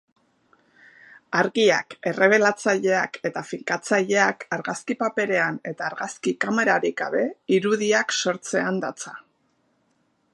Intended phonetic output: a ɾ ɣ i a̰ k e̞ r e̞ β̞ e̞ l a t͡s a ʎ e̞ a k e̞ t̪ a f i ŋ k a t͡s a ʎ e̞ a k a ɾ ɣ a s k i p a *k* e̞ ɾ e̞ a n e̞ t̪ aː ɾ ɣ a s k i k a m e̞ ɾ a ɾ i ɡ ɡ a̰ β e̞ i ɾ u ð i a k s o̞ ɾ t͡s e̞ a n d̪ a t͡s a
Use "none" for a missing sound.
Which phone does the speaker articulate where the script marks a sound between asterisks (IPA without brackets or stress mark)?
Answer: p